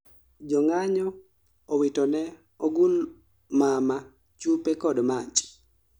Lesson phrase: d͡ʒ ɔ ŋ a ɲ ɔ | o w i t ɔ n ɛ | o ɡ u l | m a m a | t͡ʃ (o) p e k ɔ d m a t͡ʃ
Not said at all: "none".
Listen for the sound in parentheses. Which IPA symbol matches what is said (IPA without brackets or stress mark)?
u